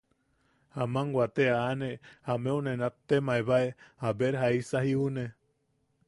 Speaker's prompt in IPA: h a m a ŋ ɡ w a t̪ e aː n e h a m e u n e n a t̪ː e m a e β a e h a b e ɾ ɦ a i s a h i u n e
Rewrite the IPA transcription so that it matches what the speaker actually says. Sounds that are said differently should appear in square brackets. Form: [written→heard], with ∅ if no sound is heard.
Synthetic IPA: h a m a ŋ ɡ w a t̪ e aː n e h a m e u n e n a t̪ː e m a e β a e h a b e ɾ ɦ a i s a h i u n e

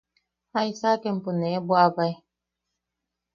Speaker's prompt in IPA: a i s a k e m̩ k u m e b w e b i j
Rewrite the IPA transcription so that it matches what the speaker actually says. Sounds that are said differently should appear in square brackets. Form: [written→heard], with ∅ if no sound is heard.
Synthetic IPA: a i s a k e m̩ [k→p] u [m→n] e b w [e→a] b [i→a] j

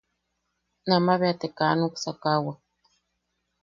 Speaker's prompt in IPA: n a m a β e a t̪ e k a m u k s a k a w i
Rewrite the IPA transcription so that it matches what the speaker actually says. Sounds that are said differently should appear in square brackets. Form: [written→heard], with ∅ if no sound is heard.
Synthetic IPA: n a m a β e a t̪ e k a [m→n] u k s a k a w [i→a]

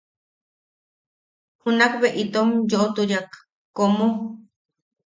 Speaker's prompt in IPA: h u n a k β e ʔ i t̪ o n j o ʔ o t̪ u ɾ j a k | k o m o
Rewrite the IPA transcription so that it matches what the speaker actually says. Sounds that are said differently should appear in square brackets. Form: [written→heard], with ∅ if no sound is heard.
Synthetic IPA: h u n a k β e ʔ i t̪ o [n→m] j o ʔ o t̪ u ɾ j a k | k o m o

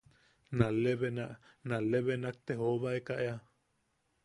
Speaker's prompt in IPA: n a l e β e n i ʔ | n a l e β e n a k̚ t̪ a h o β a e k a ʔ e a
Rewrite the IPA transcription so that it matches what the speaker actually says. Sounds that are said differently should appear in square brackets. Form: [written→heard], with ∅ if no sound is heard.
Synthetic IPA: n a l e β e n [i→a] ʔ | n a l e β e n a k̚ t̪ [a→e] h o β a e k a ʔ e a

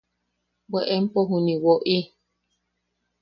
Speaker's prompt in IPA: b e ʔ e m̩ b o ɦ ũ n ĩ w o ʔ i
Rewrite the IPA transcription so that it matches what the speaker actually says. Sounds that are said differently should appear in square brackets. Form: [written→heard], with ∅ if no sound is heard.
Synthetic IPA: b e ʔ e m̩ [b→p] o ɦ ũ n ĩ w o ʔ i

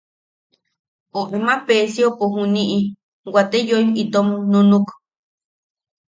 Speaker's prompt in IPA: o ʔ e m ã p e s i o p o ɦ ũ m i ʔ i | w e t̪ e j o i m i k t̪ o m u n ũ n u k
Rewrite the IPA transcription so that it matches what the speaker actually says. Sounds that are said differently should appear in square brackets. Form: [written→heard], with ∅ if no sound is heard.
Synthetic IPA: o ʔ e m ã p e s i o p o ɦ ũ [m→n] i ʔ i | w [e→a] t̪ e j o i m i [k→∅] t̪ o m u n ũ n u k

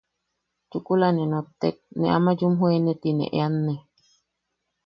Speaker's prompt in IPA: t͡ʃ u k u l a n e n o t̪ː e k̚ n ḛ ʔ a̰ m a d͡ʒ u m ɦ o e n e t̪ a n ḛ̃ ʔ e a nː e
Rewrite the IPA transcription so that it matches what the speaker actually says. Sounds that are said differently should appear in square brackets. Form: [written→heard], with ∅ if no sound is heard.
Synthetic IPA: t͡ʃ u k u l a n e n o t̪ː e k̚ n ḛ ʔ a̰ m a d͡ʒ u m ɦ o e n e t̪ [a→i] n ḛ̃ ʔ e a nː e

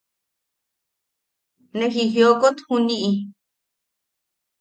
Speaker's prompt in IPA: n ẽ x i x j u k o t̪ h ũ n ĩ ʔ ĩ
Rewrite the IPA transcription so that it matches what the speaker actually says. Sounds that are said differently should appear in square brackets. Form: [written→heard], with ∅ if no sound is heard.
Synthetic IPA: n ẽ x i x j [u→o] k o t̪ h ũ n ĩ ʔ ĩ

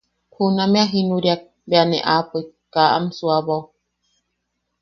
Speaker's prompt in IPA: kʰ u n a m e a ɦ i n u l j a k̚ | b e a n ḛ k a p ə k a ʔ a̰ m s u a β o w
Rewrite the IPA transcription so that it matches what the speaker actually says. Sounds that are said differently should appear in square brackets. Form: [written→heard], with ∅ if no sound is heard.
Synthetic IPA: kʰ u n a m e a ɦ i n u [l→ɾ] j a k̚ | b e a n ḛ [k→ʔ] a p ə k a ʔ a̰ m s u a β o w

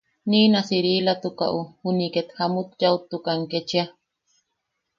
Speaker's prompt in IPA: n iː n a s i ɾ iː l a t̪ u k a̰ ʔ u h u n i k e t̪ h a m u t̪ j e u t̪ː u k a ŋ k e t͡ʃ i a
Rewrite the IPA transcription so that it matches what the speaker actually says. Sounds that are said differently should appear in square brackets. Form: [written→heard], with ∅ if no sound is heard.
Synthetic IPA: n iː n a s i ɾ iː l a t̪ u k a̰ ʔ u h u n i k e t̪ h a m u t̪ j [e→a] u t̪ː u k a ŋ k e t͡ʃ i a

